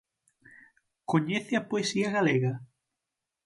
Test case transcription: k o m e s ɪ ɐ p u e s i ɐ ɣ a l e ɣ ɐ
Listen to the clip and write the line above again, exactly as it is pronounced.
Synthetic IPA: k o ɲ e θ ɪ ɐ p o e s i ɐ ɣ a l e ɣ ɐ